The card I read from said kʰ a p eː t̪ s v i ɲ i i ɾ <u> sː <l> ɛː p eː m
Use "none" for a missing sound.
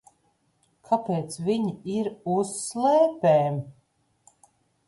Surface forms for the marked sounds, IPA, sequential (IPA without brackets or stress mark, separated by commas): u, l